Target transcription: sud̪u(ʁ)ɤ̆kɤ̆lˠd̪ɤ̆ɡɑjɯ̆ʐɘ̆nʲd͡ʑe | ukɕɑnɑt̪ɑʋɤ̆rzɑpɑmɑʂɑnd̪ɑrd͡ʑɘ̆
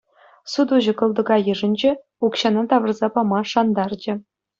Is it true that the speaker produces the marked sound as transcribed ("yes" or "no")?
no